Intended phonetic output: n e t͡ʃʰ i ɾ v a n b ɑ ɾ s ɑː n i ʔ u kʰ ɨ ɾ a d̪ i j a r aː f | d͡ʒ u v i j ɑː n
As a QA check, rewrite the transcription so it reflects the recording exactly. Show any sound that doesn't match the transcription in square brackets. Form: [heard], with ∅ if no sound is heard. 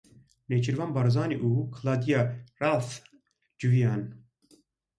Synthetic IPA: n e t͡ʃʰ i ɾ v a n b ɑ ɾ [z] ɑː n i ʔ u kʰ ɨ [l] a d̪ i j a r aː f | d͡ʒ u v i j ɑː n